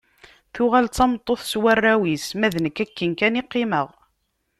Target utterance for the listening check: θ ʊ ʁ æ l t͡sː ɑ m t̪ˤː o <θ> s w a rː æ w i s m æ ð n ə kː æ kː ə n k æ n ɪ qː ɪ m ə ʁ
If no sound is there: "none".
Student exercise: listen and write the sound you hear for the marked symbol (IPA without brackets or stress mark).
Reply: θ